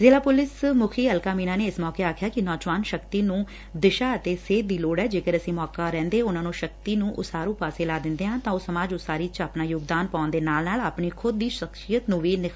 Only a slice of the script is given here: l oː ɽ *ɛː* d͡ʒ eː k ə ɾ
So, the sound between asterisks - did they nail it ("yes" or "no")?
yes